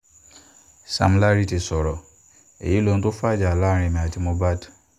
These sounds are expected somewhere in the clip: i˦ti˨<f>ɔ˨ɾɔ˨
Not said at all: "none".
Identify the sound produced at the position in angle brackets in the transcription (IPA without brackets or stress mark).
s